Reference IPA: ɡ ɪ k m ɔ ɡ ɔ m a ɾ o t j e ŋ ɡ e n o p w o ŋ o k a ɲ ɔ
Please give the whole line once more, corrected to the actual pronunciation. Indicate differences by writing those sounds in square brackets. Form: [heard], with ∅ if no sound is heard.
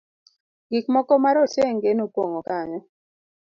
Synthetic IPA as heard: ɡ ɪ k m ɔ [k] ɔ m a ɾ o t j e ŋ ɡ e n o p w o ŋ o k a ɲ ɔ